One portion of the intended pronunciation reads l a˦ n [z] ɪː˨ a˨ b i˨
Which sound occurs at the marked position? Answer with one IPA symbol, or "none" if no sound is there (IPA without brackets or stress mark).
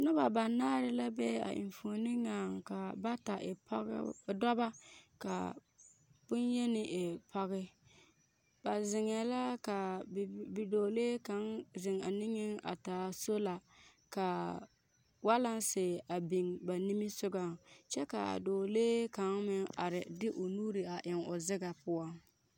s